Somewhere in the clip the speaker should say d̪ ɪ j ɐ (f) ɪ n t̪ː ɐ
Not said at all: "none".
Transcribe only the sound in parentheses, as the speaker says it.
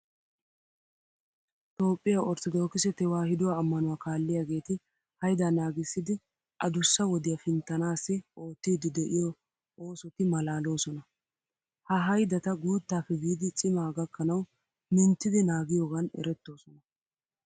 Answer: f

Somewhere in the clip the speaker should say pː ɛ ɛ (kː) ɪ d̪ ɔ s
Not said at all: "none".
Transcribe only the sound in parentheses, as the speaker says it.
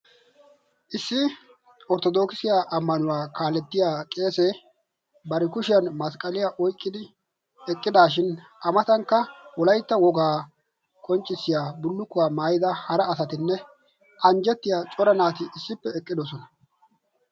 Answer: kʼː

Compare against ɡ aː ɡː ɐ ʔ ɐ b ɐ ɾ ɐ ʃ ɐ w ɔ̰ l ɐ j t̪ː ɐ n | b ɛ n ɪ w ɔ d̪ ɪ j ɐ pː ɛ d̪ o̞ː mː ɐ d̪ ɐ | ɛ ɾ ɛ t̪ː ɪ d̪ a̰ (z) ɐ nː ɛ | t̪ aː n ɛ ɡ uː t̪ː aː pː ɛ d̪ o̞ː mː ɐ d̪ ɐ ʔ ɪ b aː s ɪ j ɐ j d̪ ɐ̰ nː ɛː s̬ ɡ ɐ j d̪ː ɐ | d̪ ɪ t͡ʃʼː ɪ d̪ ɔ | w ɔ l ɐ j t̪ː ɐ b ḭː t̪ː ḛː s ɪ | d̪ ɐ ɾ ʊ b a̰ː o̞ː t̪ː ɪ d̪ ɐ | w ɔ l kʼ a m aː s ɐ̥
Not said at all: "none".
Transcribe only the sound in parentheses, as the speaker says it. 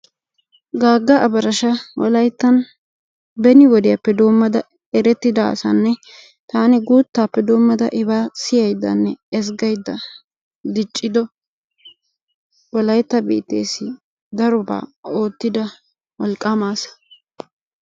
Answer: s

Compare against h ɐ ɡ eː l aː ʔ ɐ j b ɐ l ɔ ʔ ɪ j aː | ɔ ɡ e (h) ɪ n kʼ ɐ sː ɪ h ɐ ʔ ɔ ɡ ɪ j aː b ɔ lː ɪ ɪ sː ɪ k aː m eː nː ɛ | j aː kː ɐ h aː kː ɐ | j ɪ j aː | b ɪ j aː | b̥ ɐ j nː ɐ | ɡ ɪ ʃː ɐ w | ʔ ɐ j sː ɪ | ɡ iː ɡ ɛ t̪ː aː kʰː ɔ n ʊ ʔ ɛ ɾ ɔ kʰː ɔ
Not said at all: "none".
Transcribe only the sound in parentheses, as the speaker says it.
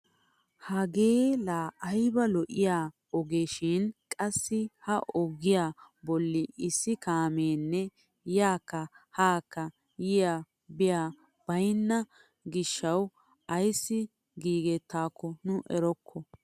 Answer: ʃ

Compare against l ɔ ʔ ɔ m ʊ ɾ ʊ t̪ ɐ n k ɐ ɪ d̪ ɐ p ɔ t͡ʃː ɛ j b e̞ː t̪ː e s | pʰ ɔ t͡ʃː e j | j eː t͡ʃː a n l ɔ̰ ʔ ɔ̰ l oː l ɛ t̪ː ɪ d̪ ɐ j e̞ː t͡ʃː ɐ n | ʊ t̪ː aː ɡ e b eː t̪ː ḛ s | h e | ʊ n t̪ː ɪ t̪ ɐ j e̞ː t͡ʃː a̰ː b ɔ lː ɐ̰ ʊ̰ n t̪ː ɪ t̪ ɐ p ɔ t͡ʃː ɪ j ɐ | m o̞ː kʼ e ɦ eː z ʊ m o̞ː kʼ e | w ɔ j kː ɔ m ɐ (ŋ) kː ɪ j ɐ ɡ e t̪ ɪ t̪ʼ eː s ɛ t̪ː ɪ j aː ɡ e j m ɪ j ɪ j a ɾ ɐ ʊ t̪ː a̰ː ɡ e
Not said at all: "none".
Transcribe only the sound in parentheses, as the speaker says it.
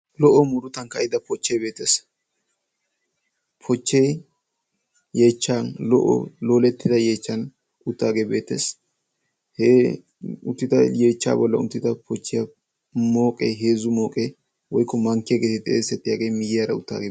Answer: ŋ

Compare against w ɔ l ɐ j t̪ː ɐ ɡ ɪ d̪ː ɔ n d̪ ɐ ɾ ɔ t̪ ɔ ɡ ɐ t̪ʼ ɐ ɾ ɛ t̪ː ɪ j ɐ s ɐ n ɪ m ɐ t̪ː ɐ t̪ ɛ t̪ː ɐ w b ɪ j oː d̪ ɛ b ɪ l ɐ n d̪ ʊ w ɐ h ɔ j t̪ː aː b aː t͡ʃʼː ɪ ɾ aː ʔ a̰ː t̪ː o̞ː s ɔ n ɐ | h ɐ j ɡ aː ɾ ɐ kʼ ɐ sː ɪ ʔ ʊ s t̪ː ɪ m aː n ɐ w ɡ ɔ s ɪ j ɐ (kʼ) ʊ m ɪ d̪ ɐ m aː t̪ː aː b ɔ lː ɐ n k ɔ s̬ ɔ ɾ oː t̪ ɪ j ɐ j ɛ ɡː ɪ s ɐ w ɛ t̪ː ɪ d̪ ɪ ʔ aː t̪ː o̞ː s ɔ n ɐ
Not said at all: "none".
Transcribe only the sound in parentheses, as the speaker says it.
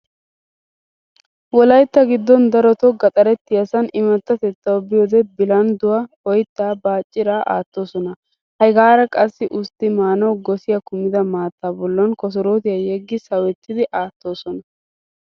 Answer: k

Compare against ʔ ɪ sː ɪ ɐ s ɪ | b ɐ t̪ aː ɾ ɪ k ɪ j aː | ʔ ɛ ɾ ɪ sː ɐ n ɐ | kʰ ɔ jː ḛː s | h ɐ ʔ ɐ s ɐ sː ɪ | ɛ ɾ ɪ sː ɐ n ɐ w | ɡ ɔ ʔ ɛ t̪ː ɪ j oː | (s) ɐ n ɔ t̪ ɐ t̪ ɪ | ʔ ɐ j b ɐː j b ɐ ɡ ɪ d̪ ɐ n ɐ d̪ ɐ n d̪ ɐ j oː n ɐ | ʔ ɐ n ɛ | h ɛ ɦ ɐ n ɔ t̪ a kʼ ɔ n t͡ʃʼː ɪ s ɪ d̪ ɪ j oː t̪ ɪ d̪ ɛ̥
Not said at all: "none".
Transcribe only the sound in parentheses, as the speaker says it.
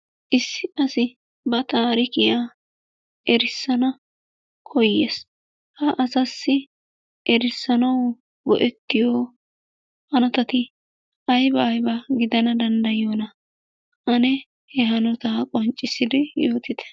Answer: h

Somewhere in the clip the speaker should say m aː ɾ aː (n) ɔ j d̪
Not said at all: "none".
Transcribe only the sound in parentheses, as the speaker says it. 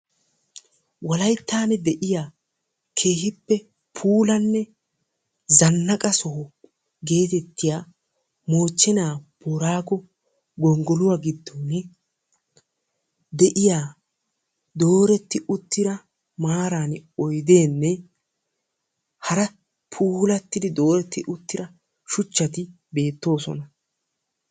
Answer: n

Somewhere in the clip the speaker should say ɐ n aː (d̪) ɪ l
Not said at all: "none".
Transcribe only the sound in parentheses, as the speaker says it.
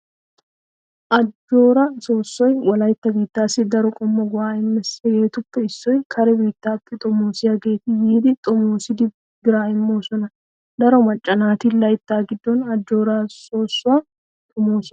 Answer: t̪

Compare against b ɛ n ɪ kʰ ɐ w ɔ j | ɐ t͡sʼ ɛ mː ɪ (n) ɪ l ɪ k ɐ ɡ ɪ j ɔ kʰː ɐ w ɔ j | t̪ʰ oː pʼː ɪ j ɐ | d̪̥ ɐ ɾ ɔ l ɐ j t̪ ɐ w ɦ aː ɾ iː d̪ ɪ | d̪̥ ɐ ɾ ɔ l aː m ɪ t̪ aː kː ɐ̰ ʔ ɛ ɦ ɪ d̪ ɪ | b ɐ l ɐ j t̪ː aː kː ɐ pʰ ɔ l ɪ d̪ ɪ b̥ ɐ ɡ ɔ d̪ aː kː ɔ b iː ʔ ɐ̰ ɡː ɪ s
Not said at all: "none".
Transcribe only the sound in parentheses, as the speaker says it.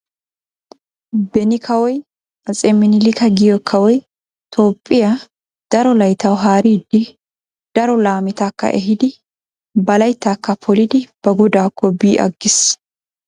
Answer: n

